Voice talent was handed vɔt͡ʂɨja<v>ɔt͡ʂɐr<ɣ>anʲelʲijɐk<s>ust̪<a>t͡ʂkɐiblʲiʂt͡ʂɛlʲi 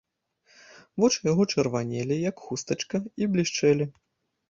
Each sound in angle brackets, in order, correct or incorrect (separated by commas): incorrect, incorrect, incorrect, incorrect